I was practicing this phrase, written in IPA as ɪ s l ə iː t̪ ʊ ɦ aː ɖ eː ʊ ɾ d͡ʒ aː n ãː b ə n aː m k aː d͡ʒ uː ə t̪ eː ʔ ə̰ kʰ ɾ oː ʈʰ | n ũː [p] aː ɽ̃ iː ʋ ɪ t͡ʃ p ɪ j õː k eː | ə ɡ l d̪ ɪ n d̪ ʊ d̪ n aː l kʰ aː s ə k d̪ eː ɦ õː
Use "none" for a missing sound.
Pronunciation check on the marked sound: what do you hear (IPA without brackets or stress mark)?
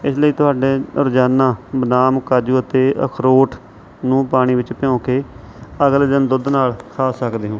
p